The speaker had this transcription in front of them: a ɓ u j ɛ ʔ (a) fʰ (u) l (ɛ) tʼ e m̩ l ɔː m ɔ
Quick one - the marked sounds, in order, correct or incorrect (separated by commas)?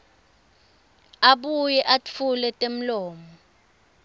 correct, correct, correct